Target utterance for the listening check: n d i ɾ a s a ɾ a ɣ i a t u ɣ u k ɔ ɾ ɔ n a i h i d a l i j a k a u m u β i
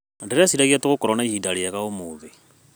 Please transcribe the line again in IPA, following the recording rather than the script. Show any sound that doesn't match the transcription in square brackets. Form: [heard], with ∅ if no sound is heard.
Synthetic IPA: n d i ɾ a s [i] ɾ a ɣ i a t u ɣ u k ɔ ɾ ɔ n a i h i d a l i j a k a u m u β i